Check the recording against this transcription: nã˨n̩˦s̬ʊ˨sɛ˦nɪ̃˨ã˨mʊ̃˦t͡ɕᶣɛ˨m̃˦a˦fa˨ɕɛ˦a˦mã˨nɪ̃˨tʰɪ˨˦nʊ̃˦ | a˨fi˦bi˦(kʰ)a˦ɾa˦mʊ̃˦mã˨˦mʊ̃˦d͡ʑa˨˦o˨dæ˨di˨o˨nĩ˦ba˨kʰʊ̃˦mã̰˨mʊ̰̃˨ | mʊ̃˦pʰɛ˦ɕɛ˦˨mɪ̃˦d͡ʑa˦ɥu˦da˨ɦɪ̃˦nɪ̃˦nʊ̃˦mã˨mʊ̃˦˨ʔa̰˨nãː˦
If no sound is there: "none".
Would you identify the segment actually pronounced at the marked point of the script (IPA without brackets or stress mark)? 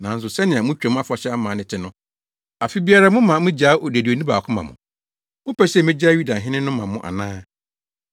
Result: none